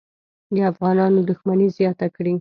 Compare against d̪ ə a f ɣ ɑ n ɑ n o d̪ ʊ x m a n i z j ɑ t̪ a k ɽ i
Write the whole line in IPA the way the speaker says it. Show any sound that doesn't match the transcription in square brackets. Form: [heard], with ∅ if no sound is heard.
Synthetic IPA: d̪ ə a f ɣ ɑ n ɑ n o d̪ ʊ x m a n i z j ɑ t̪ a k ɽ i